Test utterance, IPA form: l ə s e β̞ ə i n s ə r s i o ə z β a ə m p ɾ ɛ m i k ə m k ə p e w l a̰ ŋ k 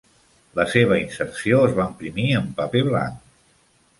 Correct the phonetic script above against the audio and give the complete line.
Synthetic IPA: l ə s e β̞ ə i n s ə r s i o ə z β a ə m p ɾ i m i ə m p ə p e β l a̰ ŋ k